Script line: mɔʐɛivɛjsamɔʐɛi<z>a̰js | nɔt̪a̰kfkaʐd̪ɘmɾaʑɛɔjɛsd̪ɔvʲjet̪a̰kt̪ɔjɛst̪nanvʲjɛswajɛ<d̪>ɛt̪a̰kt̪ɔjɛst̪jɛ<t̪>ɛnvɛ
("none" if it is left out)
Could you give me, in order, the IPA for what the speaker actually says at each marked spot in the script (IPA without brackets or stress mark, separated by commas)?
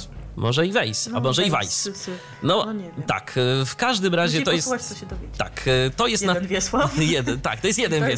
v, d̪, d̪